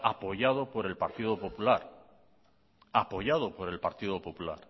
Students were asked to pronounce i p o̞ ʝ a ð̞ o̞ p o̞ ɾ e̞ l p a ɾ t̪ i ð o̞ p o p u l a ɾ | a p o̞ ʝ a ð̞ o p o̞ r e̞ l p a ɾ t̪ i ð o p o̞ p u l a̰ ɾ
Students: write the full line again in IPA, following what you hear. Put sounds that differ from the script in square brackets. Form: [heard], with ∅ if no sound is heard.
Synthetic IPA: [a] p o̞ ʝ a ð̞ o̞ p o̞ ɾ e̞ l p a ɾ t̪ i ð o̞ p o p u l a ɾ | a p o̞ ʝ a ð̞ o p o̞ [ɾ] e̞ l p a ɾ t̪ i ð o p o̞ p u l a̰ ɾ